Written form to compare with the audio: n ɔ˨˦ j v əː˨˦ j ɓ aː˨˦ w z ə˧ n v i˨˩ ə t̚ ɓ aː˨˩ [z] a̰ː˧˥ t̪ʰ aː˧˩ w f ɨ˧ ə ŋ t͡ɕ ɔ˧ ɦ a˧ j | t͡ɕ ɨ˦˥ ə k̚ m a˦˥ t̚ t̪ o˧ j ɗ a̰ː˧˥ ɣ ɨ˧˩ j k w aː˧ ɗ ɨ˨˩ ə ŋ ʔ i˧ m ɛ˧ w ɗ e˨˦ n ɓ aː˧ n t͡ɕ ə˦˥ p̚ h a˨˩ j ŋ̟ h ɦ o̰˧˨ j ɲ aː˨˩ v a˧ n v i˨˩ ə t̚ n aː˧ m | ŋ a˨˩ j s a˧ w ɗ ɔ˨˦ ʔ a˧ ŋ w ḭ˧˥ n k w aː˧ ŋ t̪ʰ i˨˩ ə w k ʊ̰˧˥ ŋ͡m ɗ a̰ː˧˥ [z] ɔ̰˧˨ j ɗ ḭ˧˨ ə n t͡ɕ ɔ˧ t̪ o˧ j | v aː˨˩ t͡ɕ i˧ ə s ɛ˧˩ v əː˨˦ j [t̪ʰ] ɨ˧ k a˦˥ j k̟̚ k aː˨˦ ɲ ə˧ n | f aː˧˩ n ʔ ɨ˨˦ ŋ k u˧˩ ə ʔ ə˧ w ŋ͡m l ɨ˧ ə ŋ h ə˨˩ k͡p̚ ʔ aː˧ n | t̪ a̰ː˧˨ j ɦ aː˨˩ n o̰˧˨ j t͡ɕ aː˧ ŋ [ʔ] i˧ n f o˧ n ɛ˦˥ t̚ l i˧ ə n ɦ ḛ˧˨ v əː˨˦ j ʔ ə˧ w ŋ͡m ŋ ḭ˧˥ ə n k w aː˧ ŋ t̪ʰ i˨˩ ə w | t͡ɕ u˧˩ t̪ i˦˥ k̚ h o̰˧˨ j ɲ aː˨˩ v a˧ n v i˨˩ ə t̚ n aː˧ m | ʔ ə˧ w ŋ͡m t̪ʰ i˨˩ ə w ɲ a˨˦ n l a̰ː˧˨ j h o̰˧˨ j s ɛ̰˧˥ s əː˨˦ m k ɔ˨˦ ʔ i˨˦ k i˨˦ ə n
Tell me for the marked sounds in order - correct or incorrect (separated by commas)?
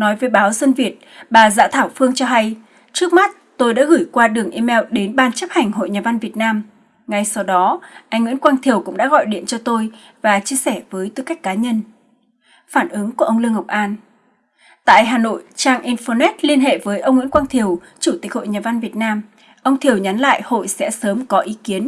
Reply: correct, incorrect, incorrect, correct